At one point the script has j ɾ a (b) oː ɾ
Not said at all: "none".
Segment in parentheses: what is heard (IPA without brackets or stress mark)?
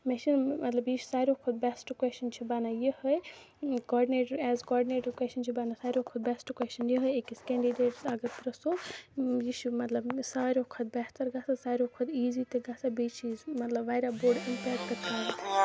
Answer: b